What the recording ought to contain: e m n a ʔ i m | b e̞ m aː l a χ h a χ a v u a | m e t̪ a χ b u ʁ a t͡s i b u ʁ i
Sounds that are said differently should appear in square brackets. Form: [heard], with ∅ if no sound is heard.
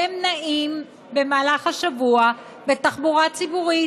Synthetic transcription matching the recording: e m n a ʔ i m | b e̞ m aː l a χ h a [ʃ] a v u a | [b] e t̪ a χ b u ʁ a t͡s i b u ʁ i